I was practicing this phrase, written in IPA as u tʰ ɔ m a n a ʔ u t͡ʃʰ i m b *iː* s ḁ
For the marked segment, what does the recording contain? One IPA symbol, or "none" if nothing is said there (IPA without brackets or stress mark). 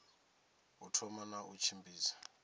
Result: iː